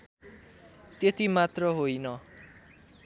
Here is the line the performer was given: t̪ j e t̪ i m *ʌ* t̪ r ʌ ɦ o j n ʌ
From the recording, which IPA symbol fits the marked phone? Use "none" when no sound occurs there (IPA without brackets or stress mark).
a